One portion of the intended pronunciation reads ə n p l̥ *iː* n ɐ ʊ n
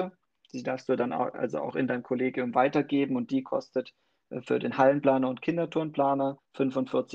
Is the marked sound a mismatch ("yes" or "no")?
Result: yes